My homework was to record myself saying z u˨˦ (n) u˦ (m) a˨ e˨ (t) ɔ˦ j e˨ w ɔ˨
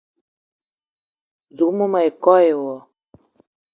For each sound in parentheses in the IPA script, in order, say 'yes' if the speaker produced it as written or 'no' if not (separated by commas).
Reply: no, yes, no